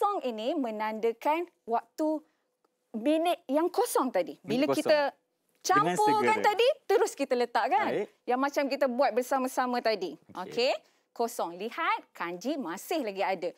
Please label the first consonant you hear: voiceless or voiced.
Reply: voiced